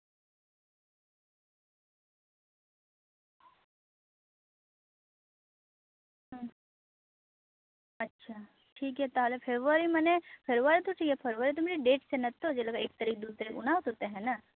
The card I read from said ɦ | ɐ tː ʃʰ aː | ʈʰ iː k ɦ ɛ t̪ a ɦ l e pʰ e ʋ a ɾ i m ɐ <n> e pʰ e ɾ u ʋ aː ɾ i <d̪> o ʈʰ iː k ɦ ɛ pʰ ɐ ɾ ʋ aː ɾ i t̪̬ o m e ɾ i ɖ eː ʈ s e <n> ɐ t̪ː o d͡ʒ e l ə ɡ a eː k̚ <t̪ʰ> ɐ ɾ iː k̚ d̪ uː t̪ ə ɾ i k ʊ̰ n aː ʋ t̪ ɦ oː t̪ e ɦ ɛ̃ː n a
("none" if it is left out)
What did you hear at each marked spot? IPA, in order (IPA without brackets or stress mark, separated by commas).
n, t̪, n, t̪